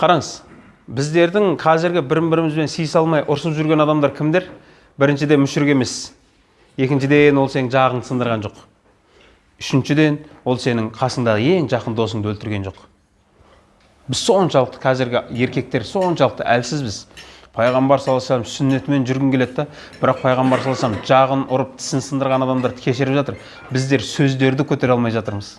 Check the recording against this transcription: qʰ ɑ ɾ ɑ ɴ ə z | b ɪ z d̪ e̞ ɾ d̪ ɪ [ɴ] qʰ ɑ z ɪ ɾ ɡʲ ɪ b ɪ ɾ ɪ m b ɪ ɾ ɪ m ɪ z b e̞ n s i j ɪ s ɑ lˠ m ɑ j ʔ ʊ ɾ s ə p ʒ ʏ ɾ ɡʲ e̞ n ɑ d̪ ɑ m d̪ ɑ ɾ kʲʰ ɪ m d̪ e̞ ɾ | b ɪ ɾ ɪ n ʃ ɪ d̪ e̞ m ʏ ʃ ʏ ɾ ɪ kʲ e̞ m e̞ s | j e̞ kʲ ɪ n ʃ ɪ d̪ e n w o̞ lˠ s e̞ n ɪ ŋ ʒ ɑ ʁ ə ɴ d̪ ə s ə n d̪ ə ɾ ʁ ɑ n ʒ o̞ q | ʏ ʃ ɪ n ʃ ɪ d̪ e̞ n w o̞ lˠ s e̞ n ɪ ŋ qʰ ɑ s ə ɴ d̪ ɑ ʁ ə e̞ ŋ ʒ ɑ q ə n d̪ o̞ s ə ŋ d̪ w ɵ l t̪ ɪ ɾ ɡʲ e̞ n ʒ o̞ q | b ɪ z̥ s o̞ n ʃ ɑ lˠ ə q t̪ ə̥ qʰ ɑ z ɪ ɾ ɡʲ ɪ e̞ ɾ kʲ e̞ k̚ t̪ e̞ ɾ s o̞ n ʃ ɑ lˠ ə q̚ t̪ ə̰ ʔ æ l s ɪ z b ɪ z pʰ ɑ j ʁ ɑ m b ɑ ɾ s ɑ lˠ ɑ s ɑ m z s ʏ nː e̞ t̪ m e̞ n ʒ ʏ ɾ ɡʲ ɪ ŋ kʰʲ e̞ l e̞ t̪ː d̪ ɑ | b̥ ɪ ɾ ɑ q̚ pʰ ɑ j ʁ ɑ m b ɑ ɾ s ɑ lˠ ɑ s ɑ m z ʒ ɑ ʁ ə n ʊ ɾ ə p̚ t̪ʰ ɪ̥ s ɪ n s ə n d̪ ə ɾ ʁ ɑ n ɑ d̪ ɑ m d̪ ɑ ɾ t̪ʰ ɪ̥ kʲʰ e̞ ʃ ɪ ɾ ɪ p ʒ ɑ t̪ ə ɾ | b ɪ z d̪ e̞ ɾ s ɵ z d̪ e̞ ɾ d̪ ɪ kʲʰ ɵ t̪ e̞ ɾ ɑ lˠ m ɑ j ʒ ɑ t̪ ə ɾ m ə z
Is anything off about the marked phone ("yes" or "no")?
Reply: yes